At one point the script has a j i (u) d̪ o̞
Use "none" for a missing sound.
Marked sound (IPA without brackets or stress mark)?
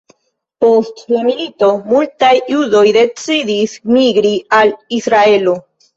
u